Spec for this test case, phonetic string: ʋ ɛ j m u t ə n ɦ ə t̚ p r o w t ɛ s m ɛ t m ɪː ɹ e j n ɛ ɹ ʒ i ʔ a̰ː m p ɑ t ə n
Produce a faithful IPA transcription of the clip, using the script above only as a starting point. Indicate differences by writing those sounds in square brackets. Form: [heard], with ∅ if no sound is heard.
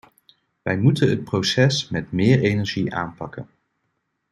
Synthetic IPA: ʋ ɛ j m u t ə n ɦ ə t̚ p r o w [s] ɛ s m ɛ t m ɪː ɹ e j n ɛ ɹ ʒ i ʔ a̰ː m p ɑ [k] ə n